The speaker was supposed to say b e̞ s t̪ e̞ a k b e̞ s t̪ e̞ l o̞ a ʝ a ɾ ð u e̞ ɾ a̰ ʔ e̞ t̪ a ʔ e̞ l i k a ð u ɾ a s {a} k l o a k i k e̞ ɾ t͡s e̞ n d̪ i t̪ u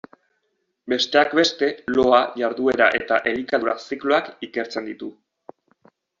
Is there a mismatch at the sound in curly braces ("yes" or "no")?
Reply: yes